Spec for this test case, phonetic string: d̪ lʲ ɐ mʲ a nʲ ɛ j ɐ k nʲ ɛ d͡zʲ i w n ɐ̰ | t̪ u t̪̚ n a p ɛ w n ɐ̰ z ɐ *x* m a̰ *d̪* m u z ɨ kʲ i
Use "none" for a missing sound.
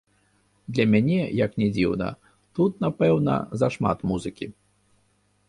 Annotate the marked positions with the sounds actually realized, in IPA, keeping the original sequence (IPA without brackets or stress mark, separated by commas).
ʂ, t̪